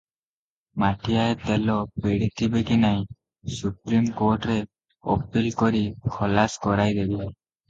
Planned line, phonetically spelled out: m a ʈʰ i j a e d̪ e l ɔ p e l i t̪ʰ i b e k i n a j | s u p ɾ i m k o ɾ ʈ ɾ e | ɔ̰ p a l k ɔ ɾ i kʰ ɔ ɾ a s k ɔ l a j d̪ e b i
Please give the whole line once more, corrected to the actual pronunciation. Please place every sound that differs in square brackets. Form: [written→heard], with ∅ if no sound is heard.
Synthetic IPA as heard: m a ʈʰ i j a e [d̪→t̪] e l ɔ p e [l→ɽ] i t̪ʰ i b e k i n a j | s u p ɾ i m k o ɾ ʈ ɾ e | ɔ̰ p [a→i] l k ɔ ɾ i kʰ ɔ [ɾ→l] a s k ɔ [l→ɾ] a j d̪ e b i